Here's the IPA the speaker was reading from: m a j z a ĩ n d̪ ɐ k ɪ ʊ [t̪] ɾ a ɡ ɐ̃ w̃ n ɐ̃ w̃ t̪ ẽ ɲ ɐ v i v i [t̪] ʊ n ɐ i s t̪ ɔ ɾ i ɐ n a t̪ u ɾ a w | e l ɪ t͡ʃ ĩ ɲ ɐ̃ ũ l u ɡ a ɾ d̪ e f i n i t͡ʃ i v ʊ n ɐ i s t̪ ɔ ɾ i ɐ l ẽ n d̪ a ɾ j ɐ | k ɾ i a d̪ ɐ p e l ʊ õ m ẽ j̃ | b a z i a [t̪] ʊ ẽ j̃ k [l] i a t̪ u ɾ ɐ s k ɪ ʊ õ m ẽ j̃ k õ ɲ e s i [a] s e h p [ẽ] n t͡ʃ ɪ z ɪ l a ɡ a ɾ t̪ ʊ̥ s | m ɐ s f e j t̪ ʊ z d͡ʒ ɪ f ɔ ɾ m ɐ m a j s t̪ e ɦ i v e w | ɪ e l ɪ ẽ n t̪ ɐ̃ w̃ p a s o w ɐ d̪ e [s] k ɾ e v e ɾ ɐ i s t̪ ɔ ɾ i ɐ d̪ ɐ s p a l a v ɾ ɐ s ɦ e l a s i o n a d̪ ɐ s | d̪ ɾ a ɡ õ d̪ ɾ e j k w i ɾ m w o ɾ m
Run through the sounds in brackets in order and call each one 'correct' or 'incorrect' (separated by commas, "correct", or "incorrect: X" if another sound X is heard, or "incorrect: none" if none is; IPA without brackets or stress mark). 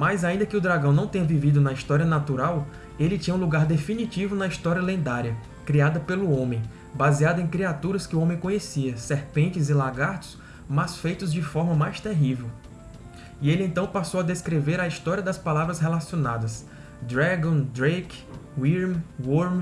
incorrect: d̪, incorrect: d̪, incorrect: d̪, incorrect: ɾ, incorrect: ɐ, correct, correct